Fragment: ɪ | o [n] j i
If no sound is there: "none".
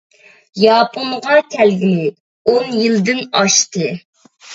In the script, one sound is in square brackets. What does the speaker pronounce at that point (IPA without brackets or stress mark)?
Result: n